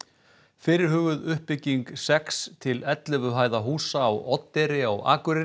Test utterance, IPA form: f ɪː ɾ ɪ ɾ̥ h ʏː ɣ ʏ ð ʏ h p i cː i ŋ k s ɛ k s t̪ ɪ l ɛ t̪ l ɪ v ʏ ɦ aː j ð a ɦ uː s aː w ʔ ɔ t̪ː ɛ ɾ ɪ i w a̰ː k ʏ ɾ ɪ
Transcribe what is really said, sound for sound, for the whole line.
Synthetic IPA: f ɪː ɾ ɪ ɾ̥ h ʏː ɣ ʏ ð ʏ h p ɪ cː i ŋ k s ɛ k s t̪ʰ ɪ l ɛ t̪ l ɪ v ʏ ɦ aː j ð a ɦ uː s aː w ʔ ɔ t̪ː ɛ ɾ ɪ a w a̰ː k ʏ ɾ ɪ